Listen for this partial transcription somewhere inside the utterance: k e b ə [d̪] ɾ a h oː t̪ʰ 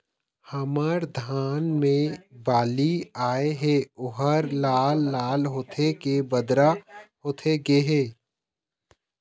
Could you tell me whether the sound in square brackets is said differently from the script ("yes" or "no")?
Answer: no